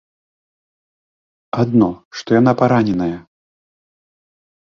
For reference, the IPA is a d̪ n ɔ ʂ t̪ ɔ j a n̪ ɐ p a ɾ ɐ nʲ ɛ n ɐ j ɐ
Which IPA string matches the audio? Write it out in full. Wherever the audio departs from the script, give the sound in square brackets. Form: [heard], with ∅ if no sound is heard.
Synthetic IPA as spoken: a d̪ n ɔ ʂ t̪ ɔ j a n̪ [a] p a ɾ [a] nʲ ɛ n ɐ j ɐ